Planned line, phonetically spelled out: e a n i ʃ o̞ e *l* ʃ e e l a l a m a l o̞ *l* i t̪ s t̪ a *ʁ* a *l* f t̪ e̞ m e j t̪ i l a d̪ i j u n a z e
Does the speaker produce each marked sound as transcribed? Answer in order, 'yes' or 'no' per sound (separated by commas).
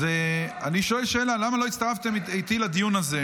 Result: yes, no, yes, no